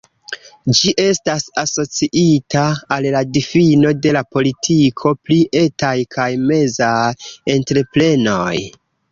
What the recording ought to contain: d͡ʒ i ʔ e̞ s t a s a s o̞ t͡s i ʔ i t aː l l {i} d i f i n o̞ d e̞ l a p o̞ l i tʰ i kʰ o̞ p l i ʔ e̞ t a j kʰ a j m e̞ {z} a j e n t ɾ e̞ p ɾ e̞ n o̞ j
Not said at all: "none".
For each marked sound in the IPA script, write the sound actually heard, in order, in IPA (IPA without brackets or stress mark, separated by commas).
a, z